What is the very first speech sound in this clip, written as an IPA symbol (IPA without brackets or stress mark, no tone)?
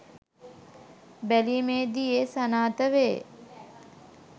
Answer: b